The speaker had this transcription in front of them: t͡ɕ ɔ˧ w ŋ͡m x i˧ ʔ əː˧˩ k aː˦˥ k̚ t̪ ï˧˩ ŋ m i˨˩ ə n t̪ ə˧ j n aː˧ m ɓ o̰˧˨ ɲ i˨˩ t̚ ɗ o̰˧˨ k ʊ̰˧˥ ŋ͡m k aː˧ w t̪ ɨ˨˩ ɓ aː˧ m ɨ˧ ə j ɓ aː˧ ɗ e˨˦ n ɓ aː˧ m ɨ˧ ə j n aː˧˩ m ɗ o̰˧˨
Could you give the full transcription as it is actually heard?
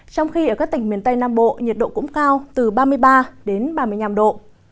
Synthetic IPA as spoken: t͡ɕ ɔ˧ w ŋ͡m x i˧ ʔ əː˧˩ k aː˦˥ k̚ t̪ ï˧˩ ŋ m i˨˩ ə n t̪ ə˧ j n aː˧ m ɓ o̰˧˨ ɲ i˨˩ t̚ ɗ o̰˧˨ k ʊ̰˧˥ ŋ͡m k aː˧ w t̪ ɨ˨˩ ɓ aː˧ m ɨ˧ ə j ɓ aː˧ ɗ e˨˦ n ɓ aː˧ m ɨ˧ ə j ɲ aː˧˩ m ɗ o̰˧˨